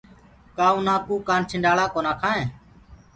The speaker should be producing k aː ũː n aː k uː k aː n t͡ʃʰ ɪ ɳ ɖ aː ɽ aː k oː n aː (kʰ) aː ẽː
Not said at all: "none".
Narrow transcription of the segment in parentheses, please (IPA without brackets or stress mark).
kʰ